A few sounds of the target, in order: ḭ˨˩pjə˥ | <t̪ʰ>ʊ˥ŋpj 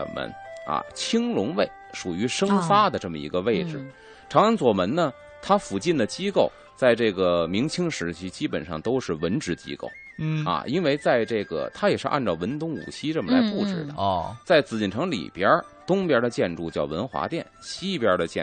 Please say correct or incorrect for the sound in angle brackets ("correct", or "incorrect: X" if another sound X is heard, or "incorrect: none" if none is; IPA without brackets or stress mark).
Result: incorrect: t̪